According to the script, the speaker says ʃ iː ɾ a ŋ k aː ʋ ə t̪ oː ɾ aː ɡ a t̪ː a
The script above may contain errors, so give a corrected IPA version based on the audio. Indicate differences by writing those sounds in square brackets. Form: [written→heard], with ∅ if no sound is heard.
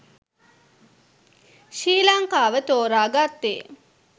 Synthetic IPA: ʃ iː [ɾ→l] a ŋ k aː ʋ ə t̪ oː ɾ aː ɡ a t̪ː [a→e]